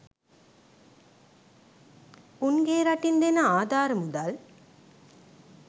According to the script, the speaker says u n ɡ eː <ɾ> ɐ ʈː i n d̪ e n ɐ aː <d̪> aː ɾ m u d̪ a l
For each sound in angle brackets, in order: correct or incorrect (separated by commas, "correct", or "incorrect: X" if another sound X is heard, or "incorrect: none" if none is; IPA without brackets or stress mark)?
correct, correct